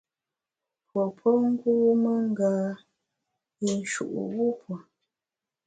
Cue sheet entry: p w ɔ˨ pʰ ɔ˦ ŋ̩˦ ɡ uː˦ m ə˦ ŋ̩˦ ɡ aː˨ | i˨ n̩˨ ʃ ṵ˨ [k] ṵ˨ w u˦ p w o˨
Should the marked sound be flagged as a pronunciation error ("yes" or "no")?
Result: yes